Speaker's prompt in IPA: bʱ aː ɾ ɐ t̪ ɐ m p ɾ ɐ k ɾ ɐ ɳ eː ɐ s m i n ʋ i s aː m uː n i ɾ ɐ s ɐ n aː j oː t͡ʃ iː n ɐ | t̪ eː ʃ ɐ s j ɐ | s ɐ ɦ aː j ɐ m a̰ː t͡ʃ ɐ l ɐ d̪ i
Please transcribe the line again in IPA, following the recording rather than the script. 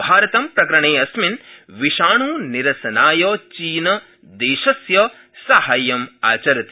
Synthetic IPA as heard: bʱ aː ɾ ɐ t̪ ɐ m p ɾ ɐ k ɾ ɐ ɳ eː ɐ s m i n ʋ i ʃ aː ɳ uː n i ɾ ɐ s ɐ n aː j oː t͡ʃ iː n ɐ | d̪ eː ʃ ɐ s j ɐ | s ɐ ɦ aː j ɐ m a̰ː t͡ʃ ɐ ɾ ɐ t̪ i